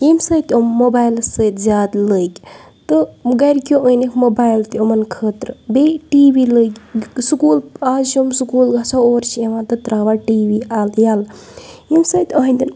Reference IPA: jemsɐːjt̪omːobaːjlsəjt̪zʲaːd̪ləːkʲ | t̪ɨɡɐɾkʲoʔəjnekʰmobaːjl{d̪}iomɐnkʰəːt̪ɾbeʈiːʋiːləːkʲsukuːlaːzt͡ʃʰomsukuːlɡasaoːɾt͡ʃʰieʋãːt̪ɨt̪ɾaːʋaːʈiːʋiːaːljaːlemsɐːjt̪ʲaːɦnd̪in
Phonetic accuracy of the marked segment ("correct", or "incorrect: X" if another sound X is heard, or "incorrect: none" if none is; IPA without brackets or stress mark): incorrect: t̪